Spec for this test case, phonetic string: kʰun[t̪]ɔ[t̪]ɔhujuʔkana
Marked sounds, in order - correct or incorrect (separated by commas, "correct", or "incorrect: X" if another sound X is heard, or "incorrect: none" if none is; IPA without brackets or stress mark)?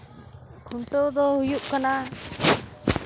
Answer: correct, incorrect: d̪